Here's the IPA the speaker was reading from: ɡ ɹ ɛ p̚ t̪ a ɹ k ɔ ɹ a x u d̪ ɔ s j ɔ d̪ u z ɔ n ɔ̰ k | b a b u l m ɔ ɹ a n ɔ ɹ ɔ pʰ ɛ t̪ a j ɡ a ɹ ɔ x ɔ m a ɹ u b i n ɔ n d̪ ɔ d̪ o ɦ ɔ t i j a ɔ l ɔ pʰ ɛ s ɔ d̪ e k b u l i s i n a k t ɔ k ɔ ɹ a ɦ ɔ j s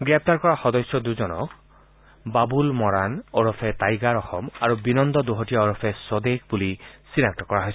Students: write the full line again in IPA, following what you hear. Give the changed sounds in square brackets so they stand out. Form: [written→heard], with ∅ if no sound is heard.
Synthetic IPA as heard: ɡ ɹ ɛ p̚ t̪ a ɹ k ɔ ɹ a x [u→ɔ] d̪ ɔ s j ɔ d̪ u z ɔ n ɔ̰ k | b a b u l m ɔ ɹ a n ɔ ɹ ɔ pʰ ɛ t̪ a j ɡ a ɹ ɔ x ɔ m a ɹ u b i n ɔ n d̪ ɔ d̪ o ɦ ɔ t i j a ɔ [l→ɹ] ɔ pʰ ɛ s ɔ d̪ e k b u l i s i n a k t ɔ k ɔ ɹ a ɦ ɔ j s

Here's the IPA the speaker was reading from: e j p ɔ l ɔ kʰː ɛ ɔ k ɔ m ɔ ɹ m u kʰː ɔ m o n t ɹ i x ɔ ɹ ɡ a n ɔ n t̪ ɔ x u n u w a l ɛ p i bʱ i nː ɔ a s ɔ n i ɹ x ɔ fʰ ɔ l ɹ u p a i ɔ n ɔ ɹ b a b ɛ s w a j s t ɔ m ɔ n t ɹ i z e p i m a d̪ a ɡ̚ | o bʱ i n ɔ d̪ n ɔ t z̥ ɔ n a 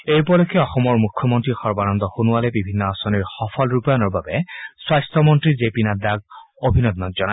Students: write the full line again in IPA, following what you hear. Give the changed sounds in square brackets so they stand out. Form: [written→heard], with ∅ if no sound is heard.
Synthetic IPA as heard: e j p ɔ l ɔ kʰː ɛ ɔ [k→x] ɔ m ɔ ɹ m u kʰː ɔ m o n t ɹ i x ɔ ɹ [ɡ→b] a n ɔ n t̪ ɔ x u n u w a l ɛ [p→b] i bʱ i nː ɔ a s ɔ n i ɹ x ɔ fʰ ɔ l ɹ u p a [i→j] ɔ n ɔ ɹ b a b ɛ s w a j s t ɔ m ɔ n t ɹ i z e p i [m→n] a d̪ a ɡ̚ | o bʱ i n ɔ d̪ n ɔ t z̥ ɔ n a

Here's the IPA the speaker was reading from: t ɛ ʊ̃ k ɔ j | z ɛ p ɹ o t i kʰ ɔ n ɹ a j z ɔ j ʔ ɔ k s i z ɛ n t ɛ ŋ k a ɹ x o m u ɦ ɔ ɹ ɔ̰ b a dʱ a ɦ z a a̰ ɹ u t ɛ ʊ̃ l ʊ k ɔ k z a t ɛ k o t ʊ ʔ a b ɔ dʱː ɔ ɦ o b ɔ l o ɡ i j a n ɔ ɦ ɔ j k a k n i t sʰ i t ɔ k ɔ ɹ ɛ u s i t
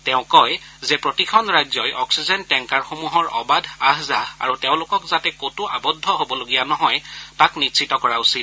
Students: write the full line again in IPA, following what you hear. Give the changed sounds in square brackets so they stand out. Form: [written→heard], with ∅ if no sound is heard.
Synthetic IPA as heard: t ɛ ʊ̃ k ɔ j | z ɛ p ɹ o t i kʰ ɔ n ɹ a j z ɔ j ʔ ɔ k s i z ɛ n t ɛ ŋ k a ɹ x o m u ɦ ɔ ɹ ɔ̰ b a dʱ a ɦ z a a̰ ɹ u t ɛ ʊ̃ l ʊ k ɔ k z a t ɛ k o t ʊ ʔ a b ɔ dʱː ɔ ɦ o b ɔ l o ɡ i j a n ɔ ɦ ɔ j [k→t] a k n i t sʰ i t ɔ k ɔ ɹ [ɛ→a] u s i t

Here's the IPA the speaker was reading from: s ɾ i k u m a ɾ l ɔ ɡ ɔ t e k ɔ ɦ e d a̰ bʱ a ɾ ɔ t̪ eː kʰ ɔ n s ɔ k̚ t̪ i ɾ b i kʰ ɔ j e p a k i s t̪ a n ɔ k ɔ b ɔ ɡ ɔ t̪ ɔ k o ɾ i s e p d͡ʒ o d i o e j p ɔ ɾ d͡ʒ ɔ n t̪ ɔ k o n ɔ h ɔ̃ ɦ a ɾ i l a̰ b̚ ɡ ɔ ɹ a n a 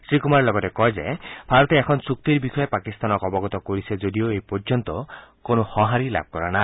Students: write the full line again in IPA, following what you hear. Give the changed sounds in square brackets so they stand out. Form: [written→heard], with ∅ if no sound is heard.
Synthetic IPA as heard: s ɾ i k u m a ɾ l ɔ ɡ ɔ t e k ɔ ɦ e [d→d͡ʒ] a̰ bʱ a ɾ ɔ t̪ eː kʰ ɔ n s [ɔ→u] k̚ t̪ i ɾ b i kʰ ɔ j e p a k i s t̪ a n ɔ k ɔ b ɔ ɡ ɔ t̪ ɔ k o ɾ i s e [p→∅] d͡ʒ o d i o e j p ɔ ɾ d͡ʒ ɔ n t̪ ɔ k o n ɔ h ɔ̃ ɦ a ɾ i l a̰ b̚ [ɡ→k] ɔ [ɹ→ɾ] a n a

